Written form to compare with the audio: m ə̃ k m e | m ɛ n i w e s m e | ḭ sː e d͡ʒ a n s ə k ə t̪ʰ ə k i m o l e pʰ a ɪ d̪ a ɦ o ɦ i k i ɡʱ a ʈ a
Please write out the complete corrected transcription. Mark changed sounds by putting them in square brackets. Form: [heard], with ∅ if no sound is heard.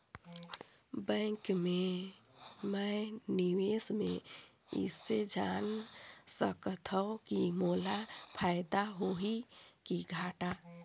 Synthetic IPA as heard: [b] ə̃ k m e | m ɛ n i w e s m e | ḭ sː e d͡ʒ a n s ə k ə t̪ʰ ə k i m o l [a] pʰ a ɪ d̪ a ɦ o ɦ i k i ɡʱ a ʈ a